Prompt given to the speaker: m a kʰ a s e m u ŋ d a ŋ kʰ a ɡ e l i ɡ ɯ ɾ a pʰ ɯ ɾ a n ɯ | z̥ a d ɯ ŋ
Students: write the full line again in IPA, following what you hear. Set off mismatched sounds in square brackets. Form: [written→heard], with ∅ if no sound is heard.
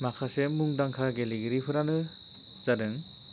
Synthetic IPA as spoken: m a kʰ a s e m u ŋ d a ŋ kʰ a ɡ e l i ɡ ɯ ɾ [a→i] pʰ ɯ ɾ a n ɯ | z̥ a d ɯ ŋ